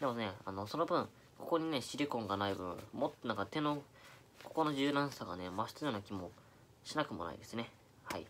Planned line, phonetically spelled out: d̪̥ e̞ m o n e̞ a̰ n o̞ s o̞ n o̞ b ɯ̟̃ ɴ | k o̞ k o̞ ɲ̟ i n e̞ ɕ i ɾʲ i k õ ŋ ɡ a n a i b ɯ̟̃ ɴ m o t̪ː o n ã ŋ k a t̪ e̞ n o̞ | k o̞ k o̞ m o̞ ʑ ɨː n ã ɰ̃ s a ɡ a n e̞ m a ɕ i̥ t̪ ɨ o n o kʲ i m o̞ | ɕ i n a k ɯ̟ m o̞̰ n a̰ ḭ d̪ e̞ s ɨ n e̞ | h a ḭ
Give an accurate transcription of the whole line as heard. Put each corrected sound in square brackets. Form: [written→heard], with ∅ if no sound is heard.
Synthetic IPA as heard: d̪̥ e̞ m o n e̞ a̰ n o̞ s o̞ n o̞ b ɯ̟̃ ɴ | k o̞ k o̞ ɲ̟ i n e̞ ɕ i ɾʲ i k õ ŋ ɡ a n a i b ɯ̟̃ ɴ m o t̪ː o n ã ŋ k a t̪ e̞ n o̞ | k o̞ k o̞ [m→n] o̞ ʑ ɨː n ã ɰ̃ s a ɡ a n e̞ m a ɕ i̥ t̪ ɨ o n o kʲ i m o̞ | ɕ i n a k ɯ̟ m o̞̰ n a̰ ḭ d̪ e̞ s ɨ n e̞ | h a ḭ

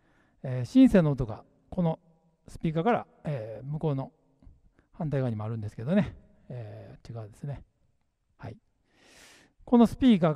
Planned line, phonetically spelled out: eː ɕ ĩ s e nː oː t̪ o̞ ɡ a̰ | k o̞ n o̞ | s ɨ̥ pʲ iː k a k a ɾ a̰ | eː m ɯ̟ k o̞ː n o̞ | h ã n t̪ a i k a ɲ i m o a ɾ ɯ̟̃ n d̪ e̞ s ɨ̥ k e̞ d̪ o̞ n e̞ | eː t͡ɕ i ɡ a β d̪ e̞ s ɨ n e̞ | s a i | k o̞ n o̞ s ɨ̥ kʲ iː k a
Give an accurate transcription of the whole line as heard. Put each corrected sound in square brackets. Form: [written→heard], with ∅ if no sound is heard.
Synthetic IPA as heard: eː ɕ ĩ s e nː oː t̪ o̞ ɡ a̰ | k o̞ n o̞ | s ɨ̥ pʲ iː k a k a ɾ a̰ | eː m ɯ̟ k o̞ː n o̞ | h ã n t̪ a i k a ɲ i m o a ɾ ɯ̟̃ n d̪ e̞ s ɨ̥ k e̞ d̪ o̞ n e̞ | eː t͡ɕ i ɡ a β d̪ e̞ s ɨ n e̞ | [s→h] a i | k o̞ n o̞ s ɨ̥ [kʲ→pʲ] iː k a

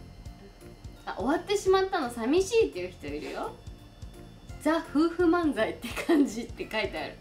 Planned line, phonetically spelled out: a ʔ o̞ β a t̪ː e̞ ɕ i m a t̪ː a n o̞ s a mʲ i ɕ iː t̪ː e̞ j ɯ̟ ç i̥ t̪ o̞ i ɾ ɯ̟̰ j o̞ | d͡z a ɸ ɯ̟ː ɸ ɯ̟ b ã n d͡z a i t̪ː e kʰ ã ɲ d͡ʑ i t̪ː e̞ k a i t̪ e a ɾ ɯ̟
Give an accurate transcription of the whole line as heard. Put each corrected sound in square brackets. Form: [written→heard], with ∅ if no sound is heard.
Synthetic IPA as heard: a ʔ o̞ β a t̪ː e̞ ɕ i m a t̪ː a n o̞ s a mʲ i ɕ iː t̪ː e̞ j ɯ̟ ç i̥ t̪ o̞ i ɾ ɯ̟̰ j o̞ | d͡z a ɸ ɯ̟ː ɸ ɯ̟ [b→m] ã n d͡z a i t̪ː e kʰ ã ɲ d͡ʑ i t̪ː e̞ k a i t̪ e a ɾ ɯ̟

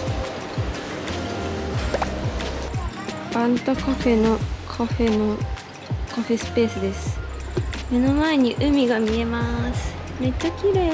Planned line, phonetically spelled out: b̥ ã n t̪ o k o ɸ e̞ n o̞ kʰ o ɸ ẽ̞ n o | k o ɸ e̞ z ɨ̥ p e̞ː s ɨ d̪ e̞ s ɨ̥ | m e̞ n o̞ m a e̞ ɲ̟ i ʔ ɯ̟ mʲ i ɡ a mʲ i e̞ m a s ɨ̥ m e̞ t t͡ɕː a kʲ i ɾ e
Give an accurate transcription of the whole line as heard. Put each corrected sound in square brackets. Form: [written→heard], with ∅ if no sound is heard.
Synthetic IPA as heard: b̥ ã n t̪ o k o ɸ e̞ n o̞ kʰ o ɸ [ẽ̞→e̞] n o | k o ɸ e̞ [z→s] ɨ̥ p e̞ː s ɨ d̪ e̞ s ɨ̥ | m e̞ n o̞ m a e̞ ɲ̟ i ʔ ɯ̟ mʲ i ɡ a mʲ i e̞ m a s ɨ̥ m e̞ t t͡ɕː a kʲ i ɾ e

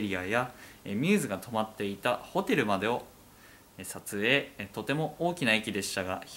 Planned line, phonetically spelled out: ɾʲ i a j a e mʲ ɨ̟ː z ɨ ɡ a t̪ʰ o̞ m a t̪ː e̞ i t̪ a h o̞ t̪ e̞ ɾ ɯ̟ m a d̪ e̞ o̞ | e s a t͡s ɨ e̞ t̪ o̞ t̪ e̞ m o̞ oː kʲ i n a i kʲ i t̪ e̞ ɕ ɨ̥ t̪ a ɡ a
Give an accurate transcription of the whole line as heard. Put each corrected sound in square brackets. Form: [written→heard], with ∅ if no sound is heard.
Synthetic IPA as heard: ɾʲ i a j a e mʲ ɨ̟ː z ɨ ɡ a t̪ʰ o̞ m a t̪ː e̞ i t̪ a h o̞ t̪ e̞ ɾ ɯ̟ m a d̪ e̞ o̞ | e s a t͡s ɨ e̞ t̪ o̞ t̪ e̞ m o̞ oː kʲ i n a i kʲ i [t̪→d̪] e̞ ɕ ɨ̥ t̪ a ɡ a

